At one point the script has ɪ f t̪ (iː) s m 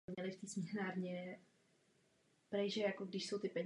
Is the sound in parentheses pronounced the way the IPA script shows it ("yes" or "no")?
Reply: yes